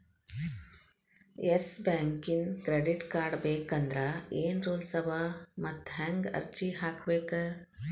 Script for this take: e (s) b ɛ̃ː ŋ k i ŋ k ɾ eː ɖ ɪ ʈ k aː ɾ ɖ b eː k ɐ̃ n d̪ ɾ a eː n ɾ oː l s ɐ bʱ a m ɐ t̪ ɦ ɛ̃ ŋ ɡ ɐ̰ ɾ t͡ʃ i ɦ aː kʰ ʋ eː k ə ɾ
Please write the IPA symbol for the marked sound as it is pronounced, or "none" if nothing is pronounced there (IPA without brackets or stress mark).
s